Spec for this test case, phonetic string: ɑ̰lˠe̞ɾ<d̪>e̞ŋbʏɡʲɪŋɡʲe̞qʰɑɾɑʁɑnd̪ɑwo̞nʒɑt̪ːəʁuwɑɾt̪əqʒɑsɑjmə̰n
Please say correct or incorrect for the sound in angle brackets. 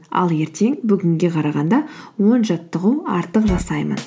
incorrect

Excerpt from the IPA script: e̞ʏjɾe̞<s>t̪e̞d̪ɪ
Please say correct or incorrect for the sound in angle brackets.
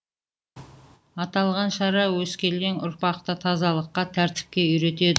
incorrect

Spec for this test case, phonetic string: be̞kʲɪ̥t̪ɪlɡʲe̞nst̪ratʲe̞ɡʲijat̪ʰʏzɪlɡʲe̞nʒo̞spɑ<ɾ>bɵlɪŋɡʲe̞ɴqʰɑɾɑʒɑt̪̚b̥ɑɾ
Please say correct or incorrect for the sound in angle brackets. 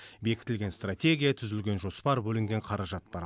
correct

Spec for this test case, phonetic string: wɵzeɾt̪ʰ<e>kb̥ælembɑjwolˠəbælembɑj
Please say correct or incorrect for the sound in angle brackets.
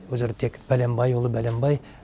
correct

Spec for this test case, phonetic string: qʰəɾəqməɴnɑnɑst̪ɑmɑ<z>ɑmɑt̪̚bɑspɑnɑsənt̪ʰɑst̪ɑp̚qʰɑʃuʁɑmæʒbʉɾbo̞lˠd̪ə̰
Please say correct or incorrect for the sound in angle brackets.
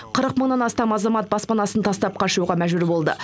correct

